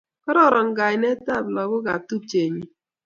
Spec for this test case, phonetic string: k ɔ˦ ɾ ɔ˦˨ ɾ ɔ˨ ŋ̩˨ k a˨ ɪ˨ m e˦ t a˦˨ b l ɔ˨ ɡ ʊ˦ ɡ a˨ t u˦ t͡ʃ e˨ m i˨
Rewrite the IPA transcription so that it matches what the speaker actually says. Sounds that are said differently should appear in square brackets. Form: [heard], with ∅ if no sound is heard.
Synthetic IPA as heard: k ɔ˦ ɾ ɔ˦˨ ɾ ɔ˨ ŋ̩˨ [ɡ] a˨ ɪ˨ [n] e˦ t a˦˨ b l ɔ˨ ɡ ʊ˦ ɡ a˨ t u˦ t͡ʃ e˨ [ɲ] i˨

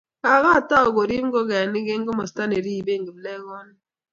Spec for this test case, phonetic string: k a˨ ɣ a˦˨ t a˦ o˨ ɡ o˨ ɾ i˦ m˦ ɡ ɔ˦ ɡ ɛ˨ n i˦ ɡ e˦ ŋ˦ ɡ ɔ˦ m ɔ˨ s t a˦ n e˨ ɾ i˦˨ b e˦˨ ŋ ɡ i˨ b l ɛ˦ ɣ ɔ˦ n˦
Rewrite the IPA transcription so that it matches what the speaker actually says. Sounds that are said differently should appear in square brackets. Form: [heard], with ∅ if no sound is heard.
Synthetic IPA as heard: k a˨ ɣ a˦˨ t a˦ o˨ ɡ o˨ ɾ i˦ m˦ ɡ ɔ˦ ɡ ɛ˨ n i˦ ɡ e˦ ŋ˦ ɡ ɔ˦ m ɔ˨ s t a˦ n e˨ ɾ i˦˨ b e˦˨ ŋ ɡ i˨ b l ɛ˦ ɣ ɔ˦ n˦

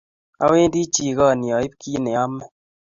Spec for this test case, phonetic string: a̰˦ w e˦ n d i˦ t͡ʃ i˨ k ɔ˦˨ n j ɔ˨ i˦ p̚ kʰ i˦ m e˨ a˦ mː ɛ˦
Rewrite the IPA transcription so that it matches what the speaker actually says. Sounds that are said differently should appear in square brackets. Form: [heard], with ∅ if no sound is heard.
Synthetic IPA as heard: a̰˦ w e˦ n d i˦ t͡ʃ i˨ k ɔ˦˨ n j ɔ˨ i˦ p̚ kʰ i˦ [n] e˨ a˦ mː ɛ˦

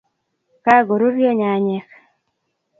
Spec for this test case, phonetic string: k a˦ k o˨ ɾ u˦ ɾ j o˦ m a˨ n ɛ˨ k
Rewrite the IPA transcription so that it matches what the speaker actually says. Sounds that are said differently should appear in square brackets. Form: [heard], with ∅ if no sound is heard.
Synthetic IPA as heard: k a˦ [ɡ] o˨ ɾ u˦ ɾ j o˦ [ɲ] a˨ [ɲ] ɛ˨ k

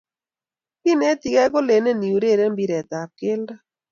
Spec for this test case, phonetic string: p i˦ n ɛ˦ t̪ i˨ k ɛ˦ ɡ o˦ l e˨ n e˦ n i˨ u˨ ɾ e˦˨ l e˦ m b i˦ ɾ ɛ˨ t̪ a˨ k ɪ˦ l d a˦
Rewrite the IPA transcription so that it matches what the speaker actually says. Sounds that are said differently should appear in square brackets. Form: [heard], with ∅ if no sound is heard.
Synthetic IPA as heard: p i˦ n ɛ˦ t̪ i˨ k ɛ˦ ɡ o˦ l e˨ n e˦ n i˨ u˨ ɾ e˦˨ [ɾ] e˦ m b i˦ ɾ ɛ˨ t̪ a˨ k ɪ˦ l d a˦

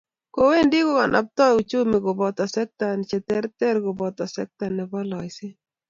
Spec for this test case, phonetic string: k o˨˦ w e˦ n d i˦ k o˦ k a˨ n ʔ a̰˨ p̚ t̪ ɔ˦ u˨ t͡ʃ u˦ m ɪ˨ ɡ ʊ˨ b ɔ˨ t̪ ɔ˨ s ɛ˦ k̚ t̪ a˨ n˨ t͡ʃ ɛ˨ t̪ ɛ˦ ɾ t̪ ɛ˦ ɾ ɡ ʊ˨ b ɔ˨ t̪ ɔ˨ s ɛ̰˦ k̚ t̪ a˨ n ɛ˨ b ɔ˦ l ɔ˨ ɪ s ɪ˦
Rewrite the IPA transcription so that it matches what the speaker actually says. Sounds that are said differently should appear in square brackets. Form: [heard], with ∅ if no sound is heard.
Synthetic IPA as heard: k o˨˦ w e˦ n d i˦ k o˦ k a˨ n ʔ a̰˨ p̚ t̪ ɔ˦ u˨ t͡ʃ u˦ m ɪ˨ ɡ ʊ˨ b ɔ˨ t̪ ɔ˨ s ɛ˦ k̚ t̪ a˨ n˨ t͡ʃ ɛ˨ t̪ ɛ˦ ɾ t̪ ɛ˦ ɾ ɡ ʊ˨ b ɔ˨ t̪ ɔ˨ s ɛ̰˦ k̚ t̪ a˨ n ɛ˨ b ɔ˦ l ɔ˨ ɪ s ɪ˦

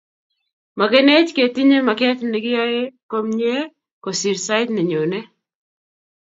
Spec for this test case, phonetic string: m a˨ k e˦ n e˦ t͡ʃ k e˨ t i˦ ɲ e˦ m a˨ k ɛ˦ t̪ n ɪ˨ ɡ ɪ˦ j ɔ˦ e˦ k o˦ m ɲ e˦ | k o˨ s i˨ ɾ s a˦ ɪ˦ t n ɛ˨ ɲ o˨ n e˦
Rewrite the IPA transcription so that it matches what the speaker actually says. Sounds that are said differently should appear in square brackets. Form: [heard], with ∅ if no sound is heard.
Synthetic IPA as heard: m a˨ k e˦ n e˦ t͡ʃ k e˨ t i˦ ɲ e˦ m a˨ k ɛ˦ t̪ n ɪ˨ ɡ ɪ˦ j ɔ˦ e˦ k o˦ m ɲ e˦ | k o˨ s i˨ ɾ s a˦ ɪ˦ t n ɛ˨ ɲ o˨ n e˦

